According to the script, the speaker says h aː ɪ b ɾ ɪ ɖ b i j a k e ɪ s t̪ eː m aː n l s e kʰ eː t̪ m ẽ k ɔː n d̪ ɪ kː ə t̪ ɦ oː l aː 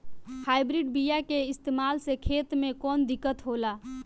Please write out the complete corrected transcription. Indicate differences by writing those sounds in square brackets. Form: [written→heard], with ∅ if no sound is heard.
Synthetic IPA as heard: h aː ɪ b ɾ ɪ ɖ b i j a k e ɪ s t̪ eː m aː [n→∅] l s e kʰ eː t̪ m ẽ k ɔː n d̪ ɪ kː ə t̪ ɦ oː l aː